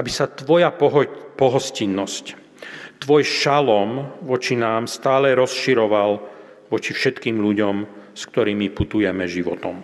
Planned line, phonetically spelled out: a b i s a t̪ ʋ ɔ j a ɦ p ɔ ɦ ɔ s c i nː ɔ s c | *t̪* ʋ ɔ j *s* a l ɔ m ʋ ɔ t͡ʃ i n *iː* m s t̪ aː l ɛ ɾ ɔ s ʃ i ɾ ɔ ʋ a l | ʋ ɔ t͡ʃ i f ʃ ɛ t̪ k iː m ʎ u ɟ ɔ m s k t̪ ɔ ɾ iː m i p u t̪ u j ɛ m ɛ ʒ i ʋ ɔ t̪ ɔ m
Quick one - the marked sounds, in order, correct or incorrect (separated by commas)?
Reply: correct, incorrect, incorrect